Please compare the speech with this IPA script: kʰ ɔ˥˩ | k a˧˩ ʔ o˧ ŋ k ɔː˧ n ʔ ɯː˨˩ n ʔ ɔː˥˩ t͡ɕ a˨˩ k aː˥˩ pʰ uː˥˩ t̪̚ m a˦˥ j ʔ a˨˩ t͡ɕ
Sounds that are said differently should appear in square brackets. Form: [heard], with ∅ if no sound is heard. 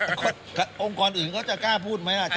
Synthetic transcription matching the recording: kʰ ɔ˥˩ | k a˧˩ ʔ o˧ ŋ k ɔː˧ n ʔ ɯː˨˩ n [k] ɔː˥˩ t͡ɕ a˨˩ k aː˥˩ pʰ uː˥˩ t̪̚ m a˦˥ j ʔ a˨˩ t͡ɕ